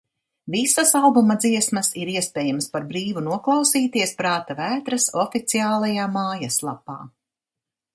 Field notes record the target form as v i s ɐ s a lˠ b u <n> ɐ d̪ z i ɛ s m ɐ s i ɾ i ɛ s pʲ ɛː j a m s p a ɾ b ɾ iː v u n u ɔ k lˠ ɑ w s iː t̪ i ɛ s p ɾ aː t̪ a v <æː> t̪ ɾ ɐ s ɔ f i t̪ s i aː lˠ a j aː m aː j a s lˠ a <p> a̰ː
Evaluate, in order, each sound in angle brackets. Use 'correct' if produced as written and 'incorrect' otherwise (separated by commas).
incorrect, correct, correct